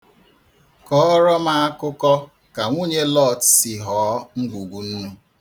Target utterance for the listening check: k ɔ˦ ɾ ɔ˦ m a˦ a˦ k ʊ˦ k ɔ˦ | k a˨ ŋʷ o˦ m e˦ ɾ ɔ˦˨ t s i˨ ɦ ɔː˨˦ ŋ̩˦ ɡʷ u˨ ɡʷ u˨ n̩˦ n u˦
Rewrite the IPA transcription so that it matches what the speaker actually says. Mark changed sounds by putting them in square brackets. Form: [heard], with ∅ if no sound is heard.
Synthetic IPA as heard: k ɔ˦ ɾ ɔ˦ m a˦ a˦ k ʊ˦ k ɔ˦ | k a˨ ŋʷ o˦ [ɲ] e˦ [l] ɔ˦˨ t s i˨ ɦ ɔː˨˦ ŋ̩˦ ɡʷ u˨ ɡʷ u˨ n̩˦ n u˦

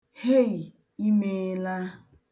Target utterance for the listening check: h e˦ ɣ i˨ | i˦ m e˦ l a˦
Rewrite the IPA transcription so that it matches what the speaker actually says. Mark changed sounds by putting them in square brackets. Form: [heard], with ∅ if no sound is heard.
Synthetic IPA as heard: h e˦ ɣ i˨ | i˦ m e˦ l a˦

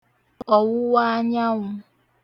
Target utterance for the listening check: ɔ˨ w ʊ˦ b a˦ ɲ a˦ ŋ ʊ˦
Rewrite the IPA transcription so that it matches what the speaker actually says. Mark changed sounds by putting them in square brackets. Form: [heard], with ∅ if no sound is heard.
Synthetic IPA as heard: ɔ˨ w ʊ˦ [w] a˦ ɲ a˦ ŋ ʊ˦

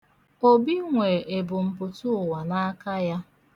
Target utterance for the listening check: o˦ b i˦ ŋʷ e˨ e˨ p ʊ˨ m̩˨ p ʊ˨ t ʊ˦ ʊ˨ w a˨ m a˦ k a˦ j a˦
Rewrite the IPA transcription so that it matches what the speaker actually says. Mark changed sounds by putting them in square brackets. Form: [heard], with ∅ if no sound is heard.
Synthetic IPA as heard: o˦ b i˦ ŋʷ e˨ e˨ [b] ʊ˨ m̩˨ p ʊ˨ t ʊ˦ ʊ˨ w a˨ [n] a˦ k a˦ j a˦

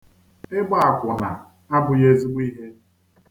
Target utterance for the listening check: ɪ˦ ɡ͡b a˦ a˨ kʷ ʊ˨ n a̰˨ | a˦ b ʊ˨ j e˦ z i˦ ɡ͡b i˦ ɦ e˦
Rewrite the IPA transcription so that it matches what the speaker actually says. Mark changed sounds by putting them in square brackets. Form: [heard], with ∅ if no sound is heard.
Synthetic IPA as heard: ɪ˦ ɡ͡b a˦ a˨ kʷ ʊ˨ n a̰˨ | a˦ b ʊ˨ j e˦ z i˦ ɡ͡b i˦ ɦ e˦

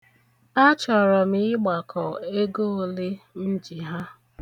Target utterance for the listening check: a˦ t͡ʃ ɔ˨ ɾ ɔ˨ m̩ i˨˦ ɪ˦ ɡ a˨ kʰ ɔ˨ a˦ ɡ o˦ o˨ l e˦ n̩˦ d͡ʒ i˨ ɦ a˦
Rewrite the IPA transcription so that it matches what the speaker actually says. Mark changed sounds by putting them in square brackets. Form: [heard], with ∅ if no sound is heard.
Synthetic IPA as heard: a˦ t͡ʃ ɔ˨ ɾ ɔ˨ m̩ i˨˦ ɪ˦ [ɡ͡b] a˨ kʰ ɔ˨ [e˦] ɡ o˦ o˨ l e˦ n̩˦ d͡ʒ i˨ ɦ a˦

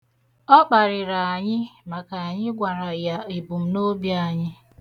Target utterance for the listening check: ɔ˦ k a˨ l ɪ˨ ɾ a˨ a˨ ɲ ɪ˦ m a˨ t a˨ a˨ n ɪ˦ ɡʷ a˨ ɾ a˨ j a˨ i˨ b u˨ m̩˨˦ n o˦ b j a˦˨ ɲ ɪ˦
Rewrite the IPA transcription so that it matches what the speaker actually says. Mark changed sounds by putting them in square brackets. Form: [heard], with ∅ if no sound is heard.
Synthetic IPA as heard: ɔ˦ [k͡p] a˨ [ɾ] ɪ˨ ɾ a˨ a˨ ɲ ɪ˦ m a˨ [k] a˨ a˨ [ɲ] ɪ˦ ɡʷ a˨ ɾ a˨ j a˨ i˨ b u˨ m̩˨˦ n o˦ b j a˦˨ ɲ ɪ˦

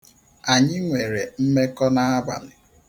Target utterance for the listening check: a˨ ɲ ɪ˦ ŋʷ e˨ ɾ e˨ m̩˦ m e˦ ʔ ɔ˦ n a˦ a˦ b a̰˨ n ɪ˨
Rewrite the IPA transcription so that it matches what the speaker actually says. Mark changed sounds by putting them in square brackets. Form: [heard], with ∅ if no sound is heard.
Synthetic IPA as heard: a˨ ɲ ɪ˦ ŋʷ e˨ ɾ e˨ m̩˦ m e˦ [k] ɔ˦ n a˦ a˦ b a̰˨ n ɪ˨

